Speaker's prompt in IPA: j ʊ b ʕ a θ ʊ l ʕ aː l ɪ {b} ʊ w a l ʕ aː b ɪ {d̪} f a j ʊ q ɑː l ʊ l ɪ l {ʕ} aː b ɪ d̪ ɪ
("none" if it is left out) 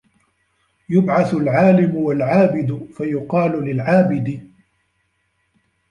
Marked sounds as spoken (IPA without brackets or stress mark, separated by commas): m, d̪, ʕ